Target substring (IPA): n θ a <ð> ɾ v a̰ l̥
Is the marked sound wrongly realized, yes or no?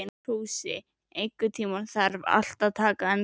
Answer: yes